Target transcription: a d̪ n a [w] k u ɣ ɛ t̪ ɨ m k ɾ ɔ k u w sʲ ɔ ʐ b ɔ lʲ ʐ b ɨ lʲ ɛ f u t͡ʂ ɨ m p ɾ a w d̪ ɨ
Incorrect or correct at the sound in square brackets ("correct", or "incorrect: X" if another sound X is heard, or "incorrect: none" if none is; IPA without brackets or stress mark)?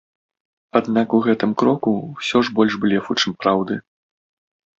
incorrect: none